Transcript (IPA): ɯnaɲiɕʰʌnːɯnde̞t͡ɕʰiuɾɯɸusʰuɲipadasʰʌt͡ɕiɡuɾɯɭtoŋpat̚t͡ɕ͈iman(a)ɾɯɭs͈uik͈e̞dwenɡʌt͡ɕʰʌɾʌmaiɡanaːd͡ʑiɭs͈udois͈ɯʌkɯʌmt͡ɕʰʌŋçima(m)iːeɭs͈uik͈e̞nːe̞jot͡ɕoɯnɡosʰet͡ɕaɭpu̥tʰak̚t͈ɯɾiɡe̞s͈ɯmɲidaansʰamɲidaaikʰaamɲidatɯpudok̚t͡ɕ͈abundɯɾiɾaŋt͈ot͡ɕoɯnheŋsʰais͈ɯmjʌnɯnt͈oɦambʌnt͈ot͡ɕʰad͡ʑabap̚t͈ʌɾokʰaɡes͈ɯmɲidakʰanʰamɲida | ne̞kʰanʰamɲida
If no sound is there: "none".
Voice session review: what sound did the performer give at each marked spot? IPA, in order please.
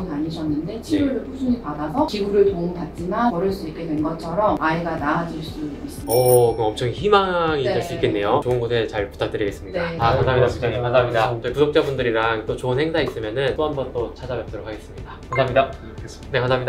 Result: ʌ, ŋ

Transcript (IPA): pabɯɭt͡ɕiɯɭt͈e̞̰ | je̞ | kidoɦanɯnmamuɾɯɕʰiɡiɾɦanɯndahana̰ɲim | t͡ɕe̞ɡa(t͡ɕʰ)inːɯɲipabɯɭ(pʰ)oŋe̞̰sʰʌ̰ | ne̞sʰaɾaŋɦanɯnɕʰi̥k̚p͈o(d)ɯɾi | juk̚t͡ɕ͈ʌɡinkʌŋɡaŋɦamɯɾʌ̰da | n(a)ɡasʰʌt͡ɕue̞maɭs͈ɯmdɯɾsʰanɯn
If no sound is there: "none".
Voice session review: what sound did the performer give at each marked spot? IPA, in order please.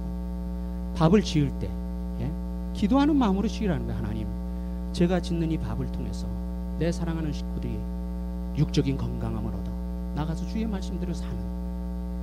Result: t͡ɕ, tʰ, d, a

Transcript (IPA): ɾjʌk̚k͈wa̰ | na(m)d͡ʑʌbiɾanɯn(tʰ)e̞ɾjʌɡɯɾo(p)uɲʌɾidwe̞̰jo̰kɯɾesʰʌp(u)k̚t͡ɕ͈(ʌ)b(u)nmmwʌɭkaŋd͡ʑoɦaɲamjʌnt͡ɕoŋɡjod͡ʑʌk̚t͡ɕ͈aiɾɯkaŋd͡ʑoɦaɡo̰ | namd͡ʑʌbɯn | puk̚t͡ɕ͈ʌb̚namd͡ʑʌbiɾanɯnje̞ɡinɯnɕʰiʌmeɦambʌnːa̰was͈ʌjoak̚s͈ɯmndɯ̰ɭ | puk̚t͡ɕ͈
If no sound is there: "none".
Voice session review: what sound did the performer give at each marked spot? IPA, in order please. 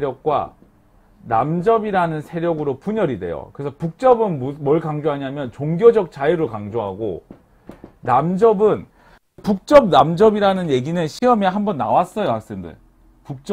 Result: m, sʰ, p, u, ʌ, ɯ

